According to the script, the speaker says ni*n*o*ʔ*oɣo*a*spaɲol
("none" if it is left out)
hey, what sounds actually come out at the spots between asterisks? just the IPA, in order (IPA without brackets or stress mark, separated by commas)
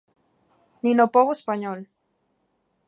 n, p, e